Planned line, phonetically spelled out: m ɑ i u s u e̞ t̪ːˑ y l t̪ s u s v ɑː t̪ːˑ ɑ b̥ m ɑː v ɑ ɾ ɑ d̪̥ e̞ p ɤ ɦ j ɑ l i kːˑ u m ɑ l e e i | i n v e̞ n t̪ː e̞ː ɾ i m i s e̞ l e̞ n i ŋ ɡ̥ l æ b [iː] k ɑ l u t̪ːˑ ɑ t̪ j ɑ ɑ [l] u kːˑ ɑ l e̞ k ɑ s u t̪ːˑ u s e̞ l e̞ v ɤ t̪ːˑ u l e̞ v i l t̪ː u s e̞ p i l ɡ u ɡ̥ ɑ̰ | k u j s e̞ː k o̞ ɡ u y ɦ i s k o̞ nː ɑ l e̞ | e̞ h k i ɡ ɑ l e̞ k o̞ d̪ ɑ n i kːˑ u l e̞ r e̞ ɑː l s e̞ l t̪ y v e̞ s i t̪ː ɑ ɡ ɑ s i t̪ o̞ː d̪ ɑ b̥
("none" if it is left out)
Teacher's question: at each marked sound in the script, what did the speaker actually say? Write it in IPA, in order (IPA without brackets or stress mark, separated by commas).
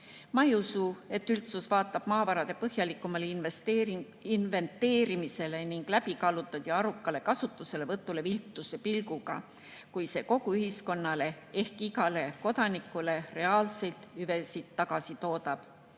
i, ɾ